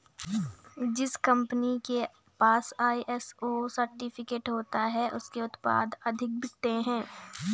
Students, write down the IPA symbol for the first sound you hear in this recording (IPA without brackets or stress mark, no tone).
d͡ʒ